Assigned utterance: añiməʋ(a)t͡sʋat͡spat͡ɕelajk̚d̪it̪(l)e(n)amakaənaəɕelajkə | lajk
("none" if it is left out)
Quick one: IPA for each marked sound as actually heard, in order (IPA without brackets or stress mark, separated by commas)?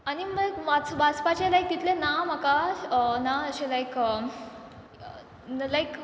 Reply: a, l, n